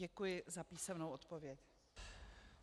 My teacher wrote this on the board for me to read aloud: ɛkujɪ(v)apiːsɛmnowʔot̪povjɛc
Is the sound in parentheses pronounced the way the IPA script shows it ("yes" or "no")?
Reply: no